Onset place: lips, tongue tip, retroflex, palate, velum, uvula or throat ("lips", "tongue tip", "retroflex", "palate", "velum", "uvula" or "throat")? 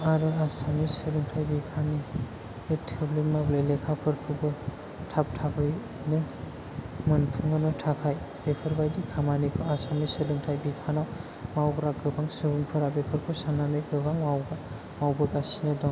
tongue tip